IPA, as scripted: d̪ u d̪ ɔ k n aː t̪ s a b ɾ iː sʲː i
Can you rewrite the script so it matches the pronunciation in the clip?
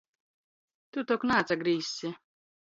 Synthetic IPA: t̪ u t̪ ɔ k n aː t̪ s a ɡ ɾ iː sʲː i